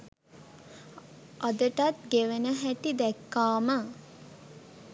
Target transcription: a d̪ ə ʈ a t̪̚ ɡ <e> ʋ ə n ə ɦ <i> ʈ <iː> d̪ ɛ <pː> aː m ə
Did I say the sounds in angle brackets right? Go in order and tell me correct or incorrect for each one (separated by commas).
correct, incorrect, incorrect, incorrect